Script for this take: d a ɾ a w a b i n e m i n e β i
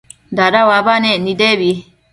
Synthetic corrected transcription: d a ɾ a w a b a n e n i d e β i